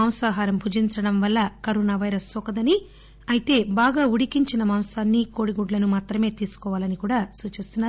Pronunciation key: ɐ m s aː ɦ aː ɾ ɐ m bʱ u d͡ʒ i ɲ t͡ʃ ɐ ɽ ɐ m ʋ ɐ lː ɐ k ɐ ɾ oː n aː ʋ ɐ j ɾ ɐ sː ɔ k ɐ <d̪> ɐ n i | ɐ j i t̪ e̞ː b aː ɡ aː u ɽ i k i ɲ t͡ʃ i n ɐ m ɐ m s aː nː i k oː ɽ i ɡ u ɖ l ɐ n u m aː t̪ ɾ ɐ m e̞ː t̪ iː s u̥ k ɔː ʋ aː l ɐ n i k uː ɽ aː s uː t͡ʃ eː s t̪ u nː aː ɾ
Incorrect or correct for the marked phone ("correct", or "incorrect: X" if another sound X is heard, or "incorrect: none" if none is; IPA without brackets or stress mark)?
correct